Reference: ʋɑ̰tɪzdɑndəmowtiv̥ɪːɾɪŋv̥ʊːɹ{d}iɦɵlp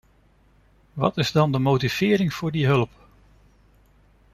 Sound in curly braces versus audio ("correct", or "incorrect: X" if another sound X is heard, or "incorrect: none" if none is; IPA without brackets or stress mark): correct